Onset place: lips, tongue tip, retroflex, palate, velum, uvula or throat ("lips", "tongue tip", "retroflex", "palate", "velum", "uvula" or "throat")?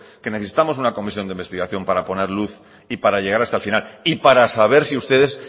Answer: velum